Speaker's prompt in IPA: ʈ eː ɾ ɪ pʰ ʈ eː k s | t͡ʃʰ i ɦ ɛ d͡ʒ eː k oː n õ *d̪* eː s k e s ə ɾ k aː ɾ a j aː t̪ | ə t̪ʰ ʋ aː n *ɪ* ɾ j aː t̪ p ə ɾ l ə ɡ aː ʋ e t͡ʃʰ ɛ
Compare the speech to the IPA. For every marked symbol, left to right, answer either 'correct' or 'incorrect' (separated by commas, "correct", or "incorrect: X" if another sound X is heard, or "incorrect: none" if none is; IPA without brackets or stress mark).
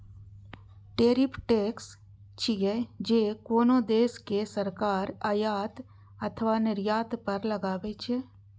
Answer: correct, correct